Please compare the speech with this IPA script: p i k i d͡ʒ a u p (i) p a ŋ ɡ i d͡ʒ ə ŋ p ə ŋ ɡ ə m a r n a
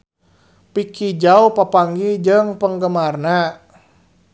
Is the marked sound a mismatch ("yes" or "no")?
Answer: yes